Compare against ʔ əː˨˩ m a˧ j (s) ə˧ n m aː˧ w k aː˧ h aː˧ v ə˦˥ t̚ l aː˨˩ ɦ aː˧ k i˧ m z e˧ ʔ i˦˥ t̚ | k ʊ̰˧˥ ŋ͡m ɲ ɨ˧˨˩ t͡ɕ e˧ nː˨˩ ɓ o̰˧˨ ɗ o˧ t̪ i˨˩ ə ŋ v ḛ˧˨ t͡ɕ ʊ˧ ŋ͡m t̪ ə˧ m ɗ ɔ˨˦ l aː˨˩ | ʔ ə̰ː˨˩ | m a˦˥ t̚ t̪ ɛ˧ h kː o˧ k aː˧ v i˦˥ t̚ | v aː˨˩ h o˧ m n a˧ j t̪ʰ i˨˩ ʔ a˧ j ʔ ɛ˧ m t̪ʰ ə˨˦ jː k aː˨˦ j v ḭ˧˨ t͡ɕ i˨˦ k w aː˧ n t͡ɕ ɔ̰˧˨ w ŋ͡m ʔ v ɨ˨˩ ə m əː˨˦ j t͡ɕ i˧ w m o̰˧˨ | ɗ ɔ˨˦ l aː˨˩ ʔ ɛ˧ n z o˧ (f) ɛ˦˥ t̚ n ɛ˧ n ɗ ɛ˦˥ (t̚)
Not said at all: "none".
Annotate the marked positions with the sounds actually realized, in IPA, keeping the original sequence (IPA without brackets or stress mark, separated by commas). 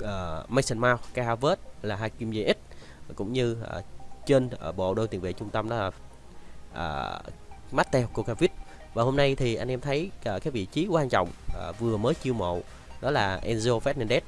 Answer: s, f, t̚